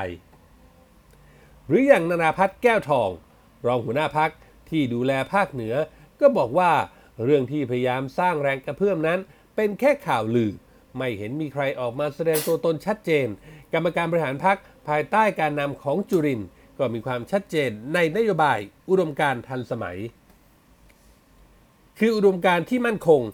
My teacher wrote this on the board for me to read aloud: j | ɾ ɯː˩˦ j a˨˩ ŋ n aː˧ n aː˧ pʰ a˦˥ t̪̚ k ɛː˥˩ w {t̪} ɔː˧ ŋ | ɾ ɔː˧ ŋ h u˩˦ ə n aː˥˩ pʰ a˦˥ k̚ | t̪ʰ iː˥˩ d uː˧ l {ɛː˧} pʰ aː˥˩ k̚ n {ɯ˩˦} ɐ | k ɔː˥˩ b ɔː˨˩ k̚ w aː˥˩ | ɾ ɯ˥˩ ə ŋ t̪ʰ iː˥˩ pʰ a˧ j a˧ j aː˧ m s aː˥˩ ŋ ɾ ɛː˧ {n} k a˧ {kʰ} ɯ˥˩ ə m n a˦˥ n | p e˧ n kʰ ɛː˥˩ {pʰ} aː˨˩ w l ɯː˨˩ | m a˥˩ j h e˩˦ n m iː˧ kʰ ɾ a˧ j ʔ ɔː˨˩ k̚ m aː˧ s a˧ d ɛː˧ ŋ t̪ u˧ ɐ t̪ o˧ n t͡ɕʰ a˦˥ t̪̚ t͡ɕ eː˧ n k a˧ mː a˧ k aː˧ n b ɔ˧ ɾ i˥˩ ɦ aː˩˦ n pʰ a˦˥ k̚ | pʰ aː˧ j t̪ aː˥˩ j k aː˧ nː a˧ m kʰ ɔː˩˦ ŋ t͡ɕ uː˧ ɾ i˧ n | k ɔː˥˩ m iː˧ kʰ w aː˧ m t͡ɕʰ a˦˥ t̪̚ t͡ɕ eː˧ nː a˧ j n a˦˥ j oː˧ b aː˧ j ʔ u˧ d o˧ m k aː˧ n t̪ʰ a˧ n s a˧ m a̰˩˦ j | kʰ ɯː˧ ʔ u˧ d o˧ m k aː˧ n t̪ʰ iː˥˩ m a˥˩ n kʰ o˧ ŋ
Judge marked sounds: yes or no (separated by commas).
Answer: no, yes, yes, no, no, no